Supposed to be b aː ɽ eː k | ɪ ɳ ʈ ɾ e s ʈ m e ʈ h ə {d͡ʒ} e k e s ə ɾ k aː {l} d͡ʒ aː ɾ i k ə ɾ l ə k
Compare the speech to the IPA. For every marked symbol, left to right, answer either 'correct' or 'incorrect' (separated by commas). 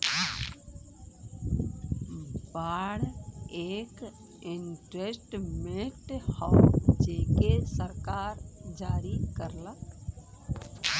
correct, incorrect